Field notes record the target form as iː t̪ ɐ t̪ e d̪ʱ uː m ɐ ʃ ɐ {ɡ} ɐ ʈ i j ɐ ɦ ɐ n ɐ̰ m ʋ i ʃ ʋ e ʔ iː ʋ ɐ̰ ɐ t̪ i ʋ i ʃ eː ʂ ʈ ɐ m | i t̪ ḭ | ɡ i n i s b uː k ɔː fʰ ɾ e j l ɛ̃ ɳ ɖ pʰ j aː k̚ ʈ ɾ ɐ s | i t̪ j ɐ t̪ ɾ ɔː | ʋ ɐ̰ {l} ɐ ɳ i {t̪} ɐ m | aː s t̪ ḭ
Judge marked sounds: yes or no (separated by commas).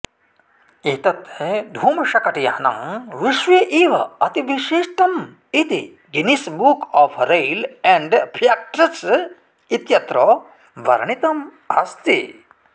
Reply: no, no, yes